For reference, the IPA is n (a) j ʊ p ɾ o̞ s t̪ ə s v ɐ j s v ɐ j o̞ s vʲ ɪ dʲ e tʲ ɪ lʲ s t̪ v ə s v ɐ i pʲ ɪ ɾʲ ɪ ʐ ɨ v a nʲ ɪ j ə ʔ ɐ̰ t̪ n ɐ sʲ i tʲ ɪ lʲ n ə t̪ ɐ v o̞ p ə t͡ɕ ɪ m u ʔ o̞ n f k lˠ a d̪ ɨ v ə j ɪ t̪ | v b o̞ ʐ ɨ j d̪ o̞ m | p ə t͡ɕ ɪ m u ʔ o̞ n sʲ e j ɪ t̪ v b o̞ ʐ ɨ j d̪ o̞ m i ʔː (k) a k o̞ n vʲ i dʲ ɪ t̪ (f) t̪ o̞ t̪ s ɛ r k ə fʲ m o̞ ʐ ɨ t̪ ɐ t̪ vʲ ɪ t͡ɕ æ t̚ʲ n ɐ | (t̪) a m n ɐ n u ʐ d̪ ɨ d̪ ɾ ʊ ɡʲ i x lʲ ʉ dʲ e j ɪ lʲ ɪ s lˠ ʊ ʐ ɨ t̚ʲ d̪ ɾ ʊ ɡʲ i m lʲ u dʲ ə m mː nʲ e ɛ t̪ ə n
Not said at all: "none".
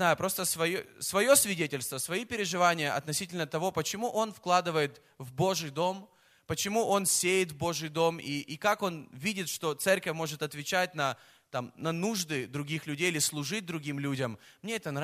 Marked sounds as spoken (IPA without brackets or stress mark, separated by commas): a, k, ʂ, t̪